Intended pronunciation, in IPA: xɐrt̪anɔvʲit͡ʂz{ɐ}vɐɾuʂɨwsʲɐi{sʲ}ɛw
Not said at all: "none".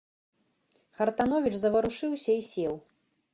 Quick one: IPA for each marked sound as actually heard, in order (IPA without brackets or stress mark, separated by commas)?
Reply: ɐ, sʲ